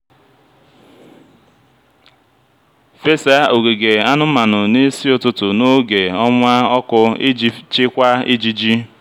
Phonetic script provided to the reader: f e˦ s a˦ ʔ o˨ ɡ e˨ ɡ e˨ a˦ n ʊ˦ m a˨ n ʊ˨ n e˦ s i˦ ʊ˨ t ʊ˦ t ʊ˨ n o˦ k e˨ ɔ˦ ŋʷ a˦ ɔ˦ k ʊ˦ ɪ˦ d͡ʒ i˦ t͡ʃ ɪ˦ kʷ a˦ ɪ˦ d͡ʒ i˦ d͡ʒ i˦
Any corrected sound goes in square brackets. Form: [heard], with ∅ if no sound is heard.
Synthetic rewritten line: f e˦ s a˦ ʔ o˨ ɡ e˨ ɡ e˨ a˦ n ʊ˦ m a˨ n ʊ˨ n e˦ s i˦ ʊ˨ t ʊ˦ t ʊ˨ n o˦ [ɡ] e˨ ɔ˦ ŋʷ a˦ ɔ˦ k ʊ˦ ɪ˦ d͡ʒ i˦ t͡ʃ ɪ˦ kʷ a˦ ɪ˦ d͡ʒ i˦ d͡ʒ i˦